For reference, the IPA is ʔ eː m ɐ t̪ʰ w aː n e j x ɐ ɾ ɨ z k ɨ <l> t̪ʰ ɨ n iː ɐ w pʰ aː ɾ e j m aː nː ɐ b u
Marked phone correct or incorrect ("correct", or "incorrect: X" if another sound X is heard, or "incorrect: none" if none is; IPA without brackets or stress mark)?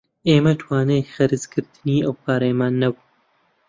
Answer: incorrect: ɾ